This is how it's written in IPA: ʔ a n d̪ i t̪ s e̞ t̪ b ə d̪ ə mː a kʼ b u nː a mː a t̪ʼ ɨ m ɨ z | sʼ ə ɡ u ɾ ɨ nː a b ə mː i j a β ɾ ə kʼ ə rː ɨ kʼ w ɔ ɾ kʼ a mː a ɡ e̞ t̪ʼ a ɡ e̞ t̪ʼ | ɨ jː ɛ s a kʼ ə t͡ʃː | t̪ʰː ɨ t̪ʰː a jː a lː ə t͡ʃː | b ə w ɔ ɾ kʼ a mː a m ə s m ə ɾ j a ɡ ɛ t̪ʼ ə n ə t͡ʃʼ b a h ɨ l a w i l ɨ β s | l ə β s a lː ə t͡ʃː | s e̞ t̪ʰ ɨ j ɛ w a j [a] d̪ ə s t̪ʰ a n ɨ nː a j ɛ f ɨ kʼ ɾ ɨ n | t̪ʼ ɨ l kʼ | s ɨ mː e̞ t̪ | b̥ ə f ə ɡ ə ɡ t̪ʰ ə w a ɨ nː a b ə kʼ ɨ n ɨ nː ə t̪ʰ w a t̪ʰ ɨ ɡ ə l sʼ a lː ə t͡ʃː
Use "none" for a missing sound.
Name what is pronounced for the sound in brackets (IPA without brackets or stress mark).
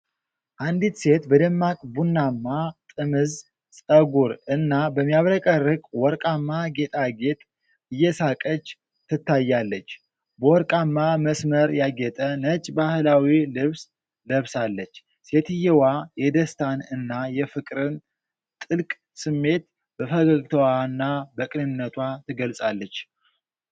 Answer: ɛ